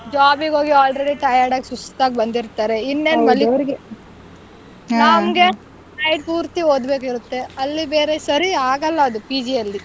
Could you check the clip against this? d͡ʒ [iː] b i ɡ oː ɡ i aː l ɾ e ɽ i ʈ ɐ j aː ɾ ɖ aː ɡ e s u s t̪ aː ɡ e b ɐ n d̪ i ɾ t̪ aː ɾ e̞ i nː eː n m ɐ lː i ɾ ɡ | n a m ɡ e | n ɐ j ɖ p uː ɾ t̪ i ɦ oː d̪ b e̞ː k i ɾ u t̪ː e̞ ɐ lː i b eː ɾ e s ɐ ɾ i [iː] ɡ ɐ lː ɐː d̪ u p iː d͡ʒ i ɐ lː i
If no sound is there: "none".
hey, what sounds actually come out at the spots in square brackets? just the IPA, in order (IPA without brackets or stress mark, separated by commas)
aː, aː